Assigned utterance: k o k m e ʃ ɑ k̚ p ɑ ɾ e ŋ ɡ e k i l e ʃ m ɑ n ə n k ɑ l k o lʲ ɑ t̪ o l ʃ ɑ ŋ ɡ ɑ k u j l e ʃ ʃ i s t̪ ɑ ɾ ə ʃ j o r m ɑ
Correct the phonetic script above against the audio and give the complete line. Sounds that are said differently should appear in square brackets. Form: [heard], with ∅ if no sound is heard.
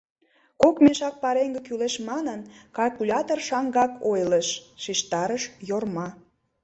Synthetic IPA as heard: k o k m e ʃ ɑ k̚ p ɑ ɾ e ŋ ɡ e k [y] l e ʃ m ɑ n ə n k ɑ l k [u] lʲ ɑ t̪ o [r] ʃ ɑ ŋ ɡ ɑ k [o] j l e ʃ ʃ i [ʃ] t̪ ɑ ɾ ə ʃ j o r m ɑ

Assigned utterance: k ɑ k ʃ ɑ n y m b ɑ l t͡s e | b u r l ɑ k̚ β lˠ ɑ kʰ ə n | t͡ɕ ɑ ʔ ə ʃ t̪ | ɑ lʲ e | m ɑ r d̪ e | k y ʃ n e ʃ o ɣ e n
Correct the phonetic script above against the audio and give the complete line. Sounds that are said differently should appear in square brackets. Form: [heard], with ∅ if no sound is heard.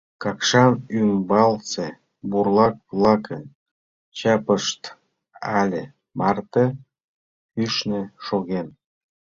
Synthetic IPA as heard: k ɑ k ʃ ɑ n y m b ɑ l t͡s e | b u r l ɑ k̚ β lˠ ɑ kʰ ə n | t͡ɕ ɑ [p] ə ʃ t̪ | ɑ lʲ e | m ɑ r [t̪] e | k y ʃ n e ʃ o ɣ e n

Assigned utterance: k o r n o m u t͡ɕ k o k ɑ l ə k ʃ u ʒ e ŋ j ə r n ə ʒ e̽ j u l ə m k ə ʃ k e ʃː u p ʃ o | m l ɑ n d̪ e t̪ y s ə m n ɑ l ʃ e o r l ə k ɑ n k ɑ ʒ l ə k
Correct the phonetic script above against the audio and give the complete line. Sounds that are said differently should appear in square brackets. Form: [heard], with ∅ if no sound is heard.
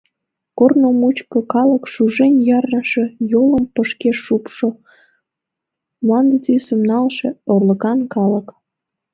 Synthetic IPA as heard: k o r n o m u t͡ɕ k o k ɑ l ə k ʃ u ʒ e [n] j [ɑ] r n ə [ʃ] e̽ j [o] l ə m [p] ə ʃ k e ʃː u p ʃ o | m l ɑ n d̪ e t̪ y s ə m n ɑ l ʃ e o r l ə k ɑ n k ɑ [∅] l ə k

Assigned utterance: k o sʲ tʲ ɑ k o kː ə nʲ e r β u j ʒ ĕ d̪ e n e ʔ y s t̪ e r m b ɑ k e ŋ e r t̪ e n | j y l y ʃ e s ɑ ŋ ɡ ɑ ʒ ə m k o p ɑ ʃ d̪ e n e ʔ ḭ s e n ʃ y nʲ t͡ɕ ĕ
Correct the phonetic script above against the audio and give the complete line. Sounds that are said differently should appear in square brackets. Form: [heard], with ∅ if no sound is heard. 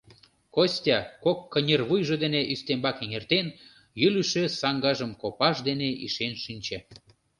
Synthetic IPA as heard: k o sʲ tʲ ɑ k o kː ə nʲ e r β u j ʒ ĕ d̪ e n e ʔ y s t̪ e [∅] m b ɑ k e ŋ e r t̪ e n | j y l y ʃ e s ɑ ŋ ɡ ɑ ʒ ə m k o p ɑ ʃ d̪ e n e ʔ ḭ [ʃ] e n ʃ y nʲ t͡ɕ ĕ

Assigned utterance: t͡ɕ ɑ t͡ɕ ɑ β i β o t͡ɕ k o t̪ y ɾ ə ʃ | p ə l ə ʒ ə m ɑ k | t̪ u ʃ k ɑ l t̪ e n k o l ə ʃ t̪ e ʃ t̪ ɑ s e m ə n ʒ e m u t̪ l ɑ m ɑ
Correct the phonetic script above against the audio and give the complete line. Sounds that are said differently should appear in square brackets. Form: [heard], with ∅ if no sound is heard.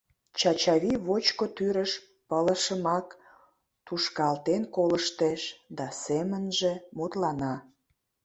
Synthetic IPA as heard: t͡ɕ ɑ t͡ɕ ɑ β i β o t͡ɕ k o t̪ y ɾ ə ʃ | p ə l ə [ʃ] ə m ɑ k | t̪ u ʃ k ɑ l t̪ e n k o l ə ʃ t̪ e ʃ [d̪] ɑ s e m ə n ʒ e m u t̪ l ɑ [n] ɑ

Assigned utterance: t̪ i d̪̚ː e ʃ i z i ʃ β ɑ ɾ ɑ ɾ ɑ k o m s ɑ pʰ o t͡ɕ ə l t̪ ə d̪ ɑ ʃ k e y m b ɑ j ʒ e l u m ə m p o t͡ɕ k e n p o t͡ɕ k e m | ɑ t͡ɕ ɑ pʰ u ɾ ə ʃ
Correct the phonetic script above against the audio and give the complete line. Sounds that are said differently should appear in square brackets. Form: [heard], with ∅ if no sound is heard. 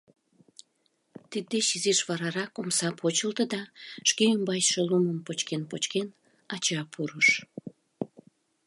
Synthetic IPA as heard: t̪ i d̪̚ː e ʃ i z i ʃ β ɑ ɾ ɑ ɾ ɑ k o m s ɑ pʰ o t͡ɕ ə l t̪ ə d̪ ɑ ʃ k e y m b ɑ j [ʃ] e l u m ə m p o t͡ɕ k e n p o t͡ɕ k e [n] | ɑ t͡ɕ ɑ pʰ u ɾ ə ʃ

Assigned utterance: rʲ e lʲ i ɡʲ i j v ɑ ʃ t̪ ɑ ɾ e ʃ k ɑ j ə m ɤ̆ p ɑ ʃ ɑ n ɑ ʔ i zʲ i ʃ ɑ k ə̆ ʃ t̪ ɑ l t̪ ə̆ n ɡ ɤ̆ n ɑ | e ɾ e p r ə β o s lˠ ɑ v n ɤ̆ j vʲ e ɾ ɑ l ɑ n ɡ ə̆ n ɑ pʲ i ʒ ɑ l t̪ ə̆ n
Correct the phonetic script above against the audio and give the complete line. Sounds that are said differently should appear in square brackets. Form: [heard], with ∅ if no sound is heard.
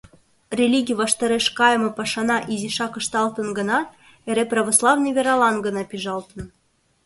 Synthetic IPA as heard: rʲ e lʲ i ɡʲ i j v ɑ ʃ t̪ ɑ ɾ e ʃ k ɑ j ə m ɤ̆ p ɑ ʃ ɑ n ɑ ʔ i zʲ i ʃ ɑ k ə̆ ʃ t̪ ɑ l t̪ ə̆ n ɡ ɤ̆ n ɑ | e ɾ e p r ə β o s lˠ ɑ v n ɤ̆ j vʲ e ɾ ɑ l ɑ n ɡ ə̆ n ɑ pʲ i ʒ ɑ l t̪ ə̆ n

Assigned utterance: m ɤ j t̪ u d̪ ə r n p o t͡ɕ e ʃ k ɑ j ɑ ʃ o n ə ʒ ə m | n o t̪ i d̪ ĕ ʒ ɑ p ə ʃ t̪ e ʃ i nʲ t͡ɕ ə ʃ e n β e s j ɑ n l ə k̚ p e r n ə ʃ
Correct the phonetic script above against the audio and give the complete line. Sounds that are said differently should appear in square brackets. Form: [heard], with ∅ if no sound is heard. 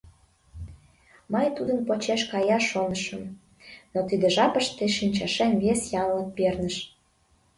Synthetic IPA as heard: m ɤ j t̪ u d̪ ə [∅] n p o t͡ɕ e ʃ k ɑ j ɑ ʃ o n ə [ʃ] ə m | n o t̪ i d̪ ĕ ʒ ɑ p ə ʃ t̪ e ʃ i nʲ t͡ɕ [ɑ] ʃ e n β e s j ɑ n l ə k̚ p e r n ə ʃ

